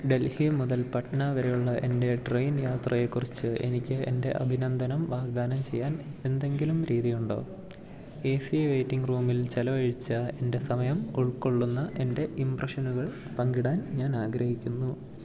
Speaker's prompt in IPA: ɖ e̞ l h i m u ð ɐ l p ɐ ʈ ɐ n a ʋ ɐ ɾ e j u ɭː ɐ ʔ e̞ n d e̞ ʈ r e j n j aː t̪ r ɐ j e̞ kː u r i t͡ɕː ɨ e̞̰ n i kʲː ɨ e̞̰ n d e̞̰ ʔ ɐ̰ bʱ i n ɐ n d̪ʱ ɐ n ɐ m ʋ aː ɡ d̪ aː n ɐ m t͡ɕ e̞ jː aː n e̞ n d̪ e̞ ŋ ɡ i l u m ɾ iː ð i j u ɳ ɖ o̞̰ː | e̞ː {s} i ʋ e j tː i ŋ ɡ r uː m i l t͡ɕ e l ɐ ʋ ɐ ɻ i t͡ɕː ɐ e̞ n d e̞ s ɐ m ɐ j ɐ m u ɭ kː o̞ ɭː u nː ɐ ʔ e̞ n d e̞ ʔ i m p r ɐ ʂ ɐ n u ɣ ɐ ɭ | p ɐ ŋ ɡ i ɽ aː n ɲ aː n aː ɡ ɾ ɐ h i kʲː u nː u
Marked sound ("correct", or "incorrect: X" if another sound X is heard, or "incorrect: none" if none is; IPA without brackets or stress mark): correct